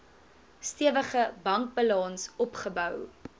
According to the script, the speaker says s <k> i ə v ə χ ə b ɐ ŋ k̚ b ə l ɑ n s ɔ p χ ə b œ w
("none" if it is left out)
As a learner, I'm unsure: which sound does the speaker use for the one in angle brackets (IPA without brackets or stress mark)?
t